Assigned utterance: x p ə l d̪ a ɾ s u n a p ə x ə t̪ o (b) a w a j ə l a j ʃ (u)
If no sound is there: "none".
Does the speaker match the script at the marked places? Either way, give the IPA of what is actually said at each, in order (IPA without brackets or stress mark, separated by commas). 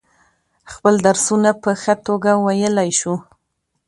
ɡ, u